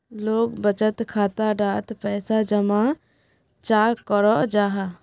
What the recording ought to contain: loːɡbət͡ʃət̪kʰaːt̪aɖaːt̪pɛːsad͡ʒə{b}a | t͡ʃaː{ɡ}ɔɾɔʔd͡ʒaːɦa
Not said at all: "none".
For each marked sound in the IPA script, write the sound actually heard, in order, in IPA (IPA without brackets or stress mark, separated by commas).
m, k